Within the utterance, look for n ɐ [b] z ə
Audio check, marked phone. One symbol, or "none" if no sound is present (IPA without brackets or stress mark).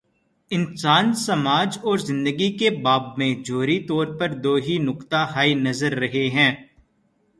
none